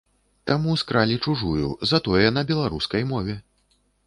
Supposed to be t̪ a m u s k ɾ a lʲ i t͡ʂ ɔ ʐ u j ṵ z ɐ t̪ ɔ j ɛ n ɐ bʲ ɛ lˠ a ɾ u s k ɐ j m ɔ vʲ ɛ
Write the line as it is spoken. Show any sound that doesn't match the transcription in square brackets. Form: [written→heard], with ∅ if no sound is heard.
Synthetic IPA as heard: t̪ a m u s k ɾ a lʲ i t͡ʂ [ɔ→u] ʐ u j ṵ z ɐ t̪ ɔ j ɛ n ɐ bʲ ɛ lˠ a ɾ u s k ɐ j m ɔ vʲ ɛ